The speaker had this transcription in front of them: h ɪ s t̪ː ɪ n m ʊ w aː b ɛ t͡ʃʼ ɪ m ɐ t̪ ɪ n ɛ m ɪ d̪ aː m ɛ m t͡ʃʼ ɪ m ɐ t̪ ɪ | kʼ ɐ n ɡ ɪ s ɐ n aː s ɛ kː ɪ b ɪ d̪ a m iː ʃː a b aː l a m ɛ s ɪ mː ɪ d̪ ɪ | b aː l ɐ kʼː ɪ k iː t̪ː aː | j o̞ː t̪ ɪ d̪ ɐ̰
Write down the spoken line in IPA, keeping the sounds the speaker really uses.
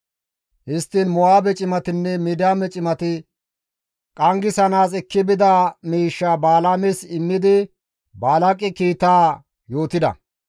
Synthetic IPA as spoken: h ɪ s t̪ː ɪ n m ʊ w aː b ɛ t͡ʃʼ ɪ m ɐ t̪ ɪ nː ɛ m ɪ d̪ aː m ɛ t͡ʃʼ ɪ m ɐ t̪ ɪ | kʼ ɐ ŋ ɡ ɪ s ɐ n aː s ɛ kː ɪ b ɪ d̪ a m iː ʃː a b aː l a m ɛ s ɪ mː ɪ d̪ ɪ | b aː l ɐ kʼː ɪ k iː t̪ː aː | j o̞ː t̪ ɪ d̪ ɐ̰